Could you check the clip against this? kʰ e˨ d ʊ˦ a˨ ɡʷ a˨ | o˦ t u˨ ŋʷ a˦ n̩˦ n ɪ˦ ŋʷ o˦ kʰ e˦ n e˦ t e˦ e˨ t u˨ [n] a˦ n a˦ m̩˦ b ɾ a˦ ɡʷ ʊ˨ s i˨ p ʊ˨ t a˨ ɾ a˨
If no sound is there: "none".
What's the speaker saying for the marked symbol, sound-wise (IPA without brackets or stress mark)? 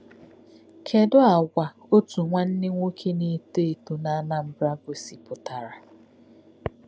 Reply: n